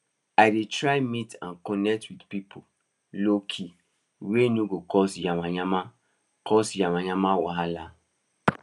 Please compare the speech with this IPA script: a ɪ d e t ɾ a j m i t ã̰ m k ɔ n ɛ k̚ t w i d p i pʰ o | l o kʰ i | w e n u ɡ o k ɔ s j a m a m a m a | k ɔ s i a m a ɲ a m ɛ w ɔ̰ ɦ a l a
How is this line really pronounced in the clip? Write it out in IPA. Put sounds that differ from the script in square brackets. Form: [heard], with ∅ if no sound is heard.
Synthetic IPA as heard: a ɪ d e t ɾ a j m i t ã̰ [n] k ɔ n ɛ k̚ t w i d p i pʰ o | l o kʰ i | w e n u ɡ o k ɔ s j a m a [ɲ] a m a | k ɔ s [j] a m a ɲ a m [a] w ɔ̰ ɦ a l a